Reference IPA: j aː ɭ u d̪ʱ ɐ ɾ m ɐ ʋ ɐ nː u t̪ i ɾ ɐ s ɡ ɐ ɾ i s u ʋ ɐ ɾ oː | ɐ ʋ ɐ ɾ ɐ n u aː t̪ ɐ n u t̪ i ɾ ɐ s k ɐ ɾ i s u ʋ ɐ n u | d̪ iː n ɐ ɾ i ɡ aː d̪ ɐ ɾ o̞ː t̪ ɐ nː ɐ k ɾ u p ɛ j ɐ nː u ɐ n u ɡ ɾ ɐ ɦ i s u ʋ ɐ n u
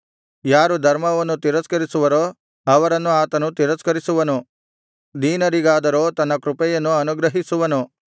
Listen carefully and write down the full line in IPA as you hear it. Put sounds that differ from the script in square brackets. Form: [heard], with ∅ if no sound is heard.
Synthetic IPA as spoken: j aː [ɾ] u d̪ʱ ɐ ɾ m ɐ ʋ ɐ nː u t̪ i ɾ ɐ s [k] ɐ ɾ i s u ʋ ɐ ɾ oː | ɐ ʋ ɐ ɾ ɐ [nː] u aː t̪ ɐ n u t̪ i ɾ ɐ s k ɐ ɾ i s u ʋ ɐ n u | d̪ iː n ɐ ɾ i ɡ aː d̪ ɐ ɾ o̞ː t̪ ɐ nː ɐ k ɾ u p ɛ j ɐ nː u ɐ n u ɡ ɾ ɐ ɦ i s u ʋ ɐ n u

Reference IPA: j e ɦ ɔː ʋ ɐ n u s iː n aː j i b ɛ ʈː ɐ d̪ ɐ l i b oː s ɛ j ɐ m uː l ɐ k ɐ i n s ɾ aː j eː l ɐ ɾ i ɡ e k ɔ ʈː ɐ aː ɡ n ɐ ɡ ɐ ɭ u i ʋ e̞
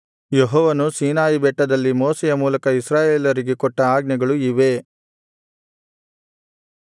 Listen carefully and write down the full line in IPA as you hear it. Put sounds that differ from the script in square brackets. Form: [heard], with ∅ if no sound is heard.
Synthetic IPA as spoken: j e ɦ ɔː ʋ ɐ n u s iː n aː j i b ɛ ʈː ɐ d̪ ɐ [lː] i [m] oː s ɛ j ɐ m uː l ɐ k ɐ i [∅] s ɾ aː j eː l ɐ ɾ i ɡ e k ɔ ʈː ɐ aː ɡ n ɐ ɡ ɐ ɭ u i ʋ e̞

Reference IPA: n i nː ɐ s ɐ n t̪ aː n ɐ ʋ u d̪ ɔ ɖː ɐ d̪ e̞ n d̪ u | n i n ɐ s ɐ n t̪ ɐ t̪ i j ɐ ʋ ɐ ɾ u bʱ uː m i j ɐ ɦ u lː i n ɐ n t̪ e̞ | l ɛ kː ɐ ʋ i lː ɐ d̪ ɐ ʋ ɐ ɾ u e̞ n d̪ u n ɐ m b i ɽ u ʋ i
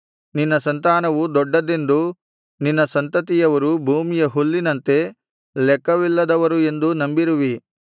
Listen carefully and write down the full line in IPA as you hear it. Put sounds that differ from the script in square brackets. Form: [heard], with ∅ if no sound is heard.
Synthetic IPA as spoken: n i nː ɐ s ɐ n t̪ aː n ɐ ʋ u d̪ ɔ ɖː ɐ d̪ e̞ n d̪ u | n i [nː] ɐ s ɐ n t̪ ɐ t̪ i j ɐ ʋ ɐ ɾ u bʱ uː m i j ɐ ɦ u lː i n ɐ n t̪ e̞ | l ɛ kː ɐ ʋ i lː ɐ d̪ ɐ ʋ ɐ ɾ u e̞ n d̪ u n ɐ m b i [ɾ] u ʋ i

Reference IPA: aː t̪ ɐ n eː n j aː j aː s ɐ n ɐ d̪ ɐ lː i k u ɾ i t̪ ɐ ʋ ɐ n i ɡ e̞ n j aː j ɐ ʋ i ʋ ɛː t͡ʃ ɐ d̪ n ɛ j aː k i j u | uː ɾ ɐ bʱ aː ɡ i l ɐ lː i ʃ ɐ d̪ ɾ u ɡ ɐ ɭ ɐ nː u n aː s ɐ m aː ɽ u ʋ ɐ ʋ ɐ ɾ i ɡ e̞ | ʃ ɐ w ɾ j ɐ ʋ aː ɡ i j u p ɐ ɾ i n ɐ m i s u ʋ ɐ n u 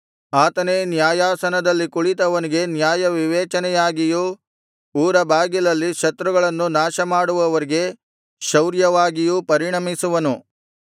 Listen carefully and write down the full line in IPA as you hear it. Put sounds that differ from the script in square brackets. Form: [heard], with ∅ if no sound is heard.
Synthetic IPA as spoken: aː t̪ ɐ n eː n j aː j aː s ɐ n ɐ d̪ ɐ lː i k u [ɭ] i t̪ ɐ ʋ ɐ n i ɡ e̞ n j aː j ɐ ʋ i ʋ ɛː t͡ʃ ɐ [∅] n ɛ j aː [ɡ] i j u | uː ɾ ɐ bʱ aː ɡ i l ɐ lː i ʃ ɐ [t̪] ɾ u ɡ ɐ ɭ ɐ nː u n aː [ʃ] ɐ m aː ɽ u ʋ ɐ ʋ ɐ ɾ i ɡ e̞ | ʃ ɐ w ɾ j ɐ ʋ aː ɡ i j u p ɐ ɾ i [ɳ] ɐ m i s u ʋ ɐ n u

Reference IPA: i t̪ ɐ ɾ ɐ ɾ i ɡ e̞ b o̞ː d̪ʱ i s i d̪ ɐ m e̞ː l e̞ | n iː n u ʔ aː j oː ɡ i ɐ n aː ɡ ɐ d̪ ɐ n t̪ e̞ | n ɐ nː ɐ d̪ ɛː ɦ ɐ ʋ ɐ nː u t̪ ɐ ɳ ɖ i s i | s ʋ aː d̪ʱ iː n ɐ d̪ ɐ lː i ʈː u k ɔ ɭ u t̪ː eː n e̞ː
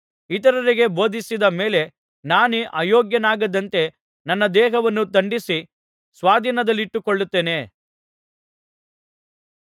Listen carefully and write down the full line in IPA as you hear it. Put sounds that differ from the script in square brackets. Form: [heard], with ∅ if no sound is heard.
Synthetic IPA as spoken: i t̪ ɐ ɾ ɐ ɾ i ɡ e̞ b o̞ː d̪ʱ i s i d̪ ɐ m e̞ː l e̞ | n [aː] n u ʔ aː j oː ɡ [j] ɐ n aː ɡ ɐ d̪ ɐ n t̪ e̞ | n ɐ nː ɐ d̪ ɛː ɦ ɐ ʋ ɐ nː u t̪ ɐ ɳ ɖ i s i | s ʋ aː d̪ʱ iː n ɐ d̪ ɐ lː i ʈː u k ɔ [ɭː] u t̪ː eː n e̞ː

